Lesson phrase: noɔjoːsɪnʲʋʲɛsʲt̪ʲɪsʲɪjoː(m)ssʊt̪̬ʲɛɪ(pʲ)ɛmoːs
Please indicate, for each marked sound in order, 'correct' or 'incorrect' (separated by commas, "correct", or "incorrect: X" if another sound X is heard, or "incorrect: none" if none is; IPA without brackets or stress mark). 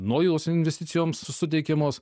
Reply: correct, incorrect: kʲ